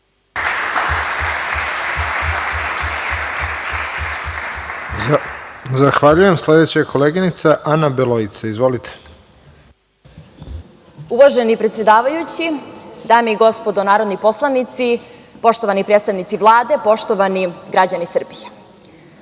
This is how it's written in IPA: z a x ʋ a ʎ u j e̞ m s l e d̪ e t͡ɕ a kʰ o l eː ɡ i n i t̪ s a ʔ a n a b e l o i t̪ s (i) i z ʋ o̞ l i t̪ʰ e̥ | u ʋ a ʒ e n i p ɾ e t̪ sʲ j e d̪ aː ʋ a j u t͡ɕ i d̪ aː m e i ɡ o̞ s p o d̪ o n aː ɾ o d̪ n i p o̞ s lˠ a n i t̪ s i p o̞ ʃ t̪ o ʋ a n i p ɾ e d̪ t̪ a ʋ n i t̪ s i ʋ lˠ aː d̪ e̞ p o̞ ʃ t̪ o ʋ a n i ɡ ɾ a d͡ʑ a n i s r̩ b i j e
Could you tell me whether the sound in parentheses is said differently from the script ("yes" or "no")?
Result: yes